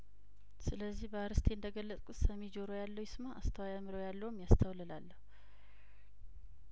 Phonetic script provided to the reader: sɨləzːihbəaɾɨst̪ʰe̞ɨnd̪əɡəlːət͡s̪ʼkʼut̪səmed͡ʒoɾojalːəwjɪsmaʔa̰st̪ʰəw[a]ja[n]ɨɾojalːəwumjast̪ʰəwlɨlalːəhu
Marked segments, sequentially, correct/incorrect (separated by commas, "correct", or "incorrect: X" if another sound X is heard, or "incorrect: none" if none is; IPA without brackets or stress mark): correct, incorrect: m